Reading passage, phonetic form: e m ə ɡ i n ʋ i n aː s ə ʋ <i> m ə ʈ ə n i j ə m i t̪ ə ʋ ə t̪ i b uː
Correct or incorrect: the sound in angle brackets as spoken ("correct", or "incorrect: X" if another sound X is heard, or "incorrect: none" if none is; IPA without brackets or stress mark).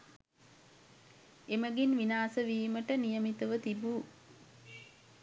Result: incorrect: iː